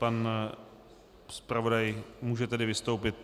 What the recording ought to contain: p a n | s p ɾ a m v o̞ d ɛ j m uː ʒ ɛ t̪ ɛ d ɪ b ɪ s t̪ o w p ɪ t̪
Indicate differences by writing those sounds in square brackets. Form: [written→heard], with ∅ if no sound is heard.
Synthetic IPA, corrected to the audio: p a n | s p ɾ a [m→∅] v o̞ d [ɛ→a] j m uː ʒ ɛ t̪ ɛ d ɪ [b→v] ɪ s t̪ o w p ɪ t̪